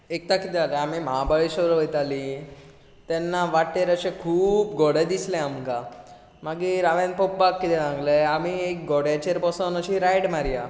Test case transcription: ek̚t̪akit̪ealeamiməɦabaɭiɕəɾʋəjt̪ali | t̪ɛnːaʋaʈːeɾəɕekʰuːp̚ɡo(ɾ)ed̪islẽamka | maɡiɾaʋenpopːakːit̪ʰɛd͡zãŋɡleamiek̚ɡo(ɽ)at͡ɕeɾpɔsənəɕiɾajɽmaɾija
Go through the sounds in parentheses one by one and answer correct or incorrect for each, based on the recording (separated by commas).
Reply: incorrect, correct